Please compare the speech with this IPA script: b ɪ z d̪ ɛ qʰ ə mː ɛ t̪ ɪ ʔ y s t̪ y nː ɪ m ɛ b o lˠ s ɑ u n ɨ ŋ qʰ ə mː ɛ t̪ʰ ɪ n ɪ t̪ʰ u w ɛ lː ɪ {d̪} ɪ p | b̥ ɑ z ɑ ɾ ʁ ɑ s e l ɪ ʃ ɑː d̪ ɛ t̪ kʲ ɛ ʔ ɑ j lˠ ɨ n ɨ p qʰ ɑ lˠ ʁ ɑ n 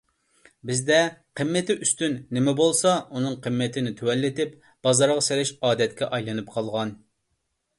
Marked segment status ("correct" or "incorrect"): incorrect